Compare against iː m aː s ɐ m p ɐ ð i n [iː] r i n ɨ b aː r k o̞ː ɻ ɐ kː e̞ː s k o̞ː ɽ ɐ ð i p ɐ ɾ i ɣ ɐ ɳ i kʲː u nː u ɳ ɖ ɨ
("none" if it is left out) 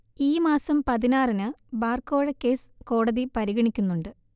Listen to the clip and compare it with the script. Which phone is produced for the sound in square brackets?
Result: aː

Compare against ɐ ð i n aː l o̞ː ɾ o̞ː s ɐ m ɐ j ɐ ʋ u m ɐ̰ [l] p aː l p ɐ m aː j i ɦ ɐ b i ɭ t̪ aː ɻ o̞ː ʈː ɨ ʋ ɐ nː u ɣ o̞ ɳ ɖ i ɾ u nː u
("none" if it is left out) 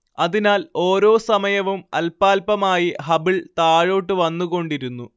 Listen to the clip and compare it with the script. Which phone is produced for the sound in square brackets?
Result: l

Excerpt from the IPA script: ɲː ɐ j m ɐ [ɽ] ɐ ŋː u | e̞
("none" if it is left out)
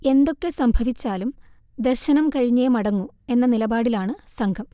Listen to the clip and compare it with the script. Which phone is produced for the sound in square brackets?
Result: ɽ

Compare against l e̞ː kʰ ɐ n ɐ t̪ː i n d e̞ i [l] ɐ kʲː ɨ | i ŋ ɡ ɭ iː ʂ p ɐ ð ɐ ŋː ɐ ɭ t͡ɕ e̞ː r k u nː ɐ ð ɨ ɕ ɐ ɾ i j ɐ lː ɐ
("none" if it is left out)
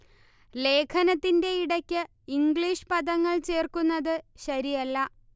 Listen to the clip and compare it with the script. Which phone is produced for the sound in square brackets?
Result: ɽ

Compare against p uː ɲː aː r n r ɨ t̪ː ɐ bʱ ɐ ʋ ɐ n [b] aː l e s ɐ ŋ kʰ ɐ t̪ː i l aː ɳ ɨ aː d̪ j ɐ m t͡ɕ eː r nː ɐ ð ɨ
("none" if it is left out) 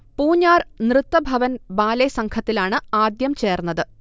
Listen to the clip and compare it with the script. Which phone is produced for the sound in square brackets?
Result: b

